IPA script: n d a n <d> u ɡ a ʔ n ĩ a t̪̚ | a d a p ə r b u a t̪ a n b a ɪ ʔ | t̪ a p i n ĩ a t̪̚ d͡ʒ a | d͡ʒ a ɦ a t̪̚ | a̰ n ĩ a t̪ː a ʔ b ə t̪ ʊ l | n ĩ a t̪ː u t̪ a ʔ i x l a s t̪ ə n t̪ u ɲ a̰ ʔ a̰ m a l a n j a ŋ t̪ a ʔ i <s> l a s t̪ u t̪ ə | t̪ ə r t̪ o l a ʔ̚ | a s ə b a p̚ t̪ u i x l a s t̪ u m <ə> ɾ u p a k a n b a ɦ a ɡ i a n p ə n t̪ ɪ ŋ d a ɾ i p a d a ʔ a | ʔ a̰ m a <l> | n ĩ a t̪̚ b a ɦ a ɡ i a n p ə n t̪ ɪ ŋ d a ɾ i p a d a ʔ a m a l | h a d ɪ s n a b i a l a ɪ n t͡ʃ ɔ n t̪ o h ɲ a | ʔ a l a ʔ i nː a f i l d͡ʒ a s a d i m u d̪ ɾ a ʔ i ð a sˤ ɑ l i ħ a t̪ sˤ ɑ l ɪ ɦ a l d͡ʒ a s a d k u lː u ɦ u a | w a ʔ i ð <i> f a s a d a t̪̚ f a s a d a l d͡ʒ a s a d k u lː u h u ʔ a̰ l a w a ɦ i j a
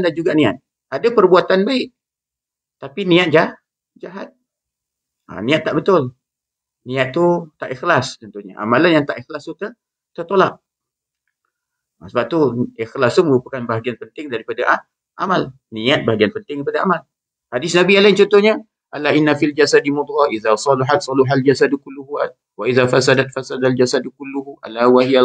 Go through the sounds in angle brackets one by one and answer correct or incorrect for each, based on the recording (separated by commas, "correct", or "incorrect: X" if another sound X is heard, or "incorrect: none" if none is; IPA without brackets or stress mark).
incorrect: d͡ʒ, incorrect: x, correct, correct, incorrect: a